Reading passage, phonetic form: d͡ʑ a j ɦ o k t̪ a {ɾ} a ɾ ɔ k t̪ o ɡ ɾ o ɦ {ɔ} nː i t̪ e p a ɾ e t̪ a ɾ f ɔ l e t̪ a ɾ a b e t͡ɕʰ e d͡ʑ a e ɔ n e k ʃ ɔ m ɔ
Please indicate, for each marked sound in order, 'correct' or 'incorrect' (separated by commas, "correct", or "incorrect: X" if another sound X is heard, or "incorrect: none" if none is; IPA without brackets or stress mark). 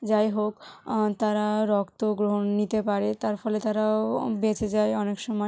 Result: correct, incorrect: o